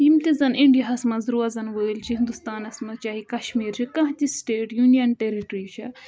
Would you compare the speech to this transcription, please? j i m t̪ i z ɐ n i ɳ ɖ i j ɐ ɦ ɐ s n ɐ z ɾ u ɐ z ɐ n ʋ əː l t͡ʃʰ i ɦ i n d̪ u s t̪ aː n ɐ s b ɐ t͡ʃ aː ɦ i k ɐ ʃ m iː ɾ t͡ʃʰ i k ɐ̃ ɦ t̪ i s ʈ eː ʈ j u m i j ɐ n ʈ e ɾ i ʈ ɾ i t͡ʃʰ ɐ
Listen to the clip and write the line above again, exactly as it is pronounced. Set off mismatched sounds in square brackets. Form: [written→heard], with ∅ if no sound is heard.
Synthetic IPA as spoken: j i m t̪ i z ɐ n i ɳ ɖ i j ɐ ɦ ɐ s [n→m] ɐ z ɾ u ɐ z ɐ n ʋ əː l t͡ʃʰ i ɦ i n d̪ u s t̪ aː n ɐ s [b→m] ɐ t͡ʃ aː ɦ i k ɐ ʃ m iː ɾ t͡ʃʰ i k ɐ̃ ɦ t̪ i s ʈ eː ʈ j u [m→n] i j ɐ n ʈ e ɾ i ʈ ɾ i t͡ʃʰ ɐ